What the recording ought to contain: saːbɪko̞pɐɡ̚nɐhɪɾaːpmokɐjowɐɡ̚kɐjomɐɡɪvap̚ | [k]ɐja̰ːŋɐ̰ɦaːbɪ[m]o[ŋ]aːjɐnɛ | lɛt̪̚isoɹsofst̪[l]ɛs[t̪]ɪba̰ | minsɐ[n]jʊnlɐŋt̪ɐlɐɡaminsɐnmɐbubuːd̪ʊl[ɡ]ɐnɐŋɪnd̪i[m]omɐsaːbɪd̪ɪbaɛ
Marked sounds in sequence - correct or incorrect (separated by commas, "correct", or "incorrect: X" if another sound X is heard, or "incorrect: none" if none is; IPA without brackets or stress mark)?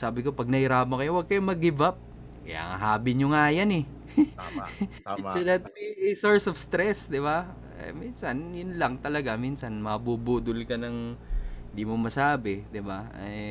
correct, incorrect: ɲ, correct, incorrect: ɾ, incorrect: d̪, correct, incorrect: k, correct